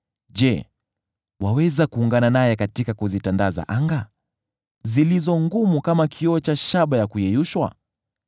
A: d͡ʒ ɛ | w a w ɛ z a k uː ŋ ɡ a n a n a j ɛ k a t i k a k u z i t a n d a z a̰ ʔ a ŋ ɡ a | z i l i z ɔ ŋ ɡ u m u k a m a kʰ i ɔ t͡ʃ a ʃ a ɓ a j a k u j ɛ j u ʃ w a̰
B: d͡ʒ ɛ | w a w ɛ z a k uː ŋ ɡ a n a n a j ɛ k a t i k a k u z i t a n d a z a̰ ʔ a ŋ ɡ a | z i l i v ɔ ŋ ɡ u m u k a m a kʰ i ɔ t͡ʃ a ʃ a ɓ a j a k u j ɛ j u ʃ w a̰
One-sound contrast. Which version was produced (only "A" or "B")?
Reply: A